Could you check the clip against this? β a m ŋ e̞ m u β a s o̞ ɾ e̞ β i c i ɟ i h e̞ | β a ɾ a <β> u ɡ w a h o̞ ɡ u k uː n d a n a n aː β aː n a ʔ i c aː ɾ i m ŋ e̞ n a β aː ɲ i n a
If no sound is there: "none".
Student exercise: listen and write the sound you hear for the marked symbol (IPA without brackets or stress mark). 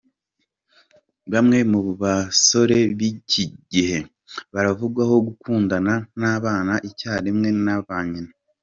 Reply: v